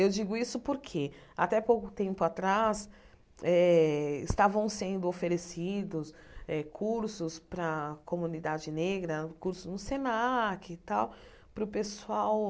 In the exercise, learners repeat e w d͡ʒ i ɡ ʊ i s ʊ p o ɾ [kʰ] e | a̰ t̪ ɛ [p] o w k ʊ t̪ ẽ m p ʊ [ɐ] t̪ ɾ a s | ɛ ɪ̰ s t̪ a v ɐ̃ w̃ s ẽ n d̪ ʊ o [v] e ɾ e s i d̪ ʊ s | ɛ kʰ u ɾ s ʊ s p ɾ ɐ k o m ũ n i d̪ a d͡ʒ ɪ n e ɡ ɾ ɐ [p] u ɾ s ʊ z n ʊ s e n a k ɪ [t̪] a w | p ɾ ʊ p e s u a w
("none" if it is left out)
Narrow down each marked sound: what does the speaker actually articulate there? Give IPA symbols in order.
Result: kʰ, p, a, f, k, t̪

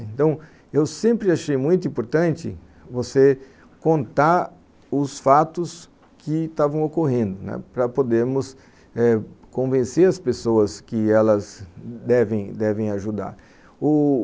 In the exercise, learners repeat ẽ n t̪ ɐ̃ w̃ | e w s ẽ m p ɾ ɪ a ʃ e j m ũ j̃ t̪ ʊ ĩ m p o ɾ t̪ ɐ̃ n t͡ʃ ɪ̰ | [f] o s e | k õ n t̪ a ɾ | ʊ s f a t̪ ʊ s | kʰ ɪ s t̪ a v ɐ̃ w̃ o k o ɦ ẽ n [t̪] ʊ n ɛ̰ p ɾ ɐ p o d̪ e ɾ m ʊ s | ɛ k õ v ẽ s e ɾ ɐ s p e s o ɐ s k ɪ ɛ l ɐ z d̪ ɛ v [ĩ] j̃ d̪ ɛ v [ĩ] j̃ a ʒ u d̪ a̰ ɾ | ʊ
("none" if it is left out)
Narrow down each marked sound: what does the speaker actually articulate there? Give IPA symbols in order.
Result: v, d̪, ẽ, ẽ

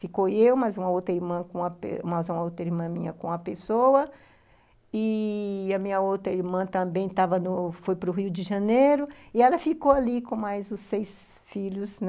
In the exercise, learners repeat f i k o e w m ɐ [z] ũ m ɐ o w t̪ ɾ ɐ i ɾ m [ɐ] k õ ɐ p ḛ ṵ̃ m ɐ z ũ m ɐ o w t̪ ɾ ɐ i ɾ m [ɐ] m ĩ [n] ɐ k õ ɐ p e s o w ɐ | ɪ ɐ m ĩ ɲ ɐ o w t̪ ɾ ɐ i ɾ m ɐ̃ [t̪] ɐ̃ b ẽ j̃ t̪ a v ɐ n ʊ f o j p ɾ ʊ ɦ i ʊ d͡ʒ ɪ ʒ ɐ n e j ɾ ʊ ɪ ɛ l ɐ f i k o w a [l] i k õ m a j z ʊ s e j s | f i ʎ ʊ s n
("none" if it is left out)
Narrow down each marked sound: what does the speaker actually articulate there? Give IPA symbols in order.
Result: z, ɐ̃, ɐ̃, ɲ, t̪, l

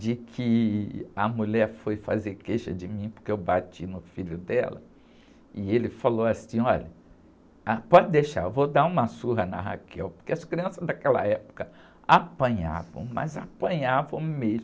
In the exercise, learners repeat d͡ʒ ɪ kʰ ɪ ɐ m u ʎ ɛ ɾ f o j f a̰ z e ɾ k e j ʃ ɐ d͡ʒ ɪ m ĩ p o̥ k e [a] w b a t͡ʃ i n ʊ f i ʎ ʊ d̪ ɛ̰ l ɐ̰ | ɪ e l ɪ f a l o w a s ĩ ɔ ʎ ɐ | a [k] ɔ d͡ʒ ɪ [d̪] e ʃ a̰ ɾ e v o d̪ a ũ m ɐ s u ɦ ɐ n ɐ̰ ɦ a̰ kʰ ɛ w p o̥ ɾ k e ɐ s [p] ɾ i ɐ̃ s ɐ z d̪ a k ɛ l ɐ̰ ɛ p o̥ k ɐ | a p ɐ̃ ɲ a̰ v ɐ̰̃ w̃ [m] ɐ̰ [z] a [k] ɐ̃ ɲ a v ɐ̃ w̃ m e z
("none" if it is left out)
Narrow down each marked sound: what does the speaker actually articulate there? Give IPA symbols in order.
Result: e, p, d̪, k, m, z, p

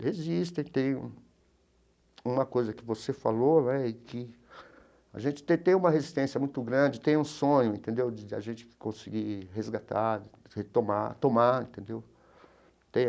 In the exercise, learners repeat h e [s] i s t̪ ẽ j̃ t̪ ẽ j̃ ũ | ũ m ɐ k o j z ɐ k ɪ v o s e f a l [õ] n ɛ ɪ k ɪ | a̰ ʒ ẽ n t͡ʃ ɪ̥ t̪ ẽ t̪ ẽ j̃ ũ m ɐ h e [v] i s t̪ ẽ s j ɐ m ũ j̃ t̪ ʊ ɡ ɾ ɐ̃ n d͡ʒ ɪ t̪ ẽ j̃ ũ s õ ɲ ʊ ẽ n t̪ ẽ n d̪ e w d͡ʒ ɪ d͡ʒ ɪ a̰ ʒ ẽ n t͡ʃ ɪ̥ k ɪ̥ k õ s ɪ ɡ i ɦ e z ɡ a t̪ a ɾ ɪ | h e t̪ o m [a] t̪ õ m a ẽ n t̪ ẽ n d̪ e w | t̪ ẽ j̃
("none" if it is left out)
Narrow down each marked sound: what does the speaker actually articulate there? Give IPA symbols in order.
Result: z, o, z, a

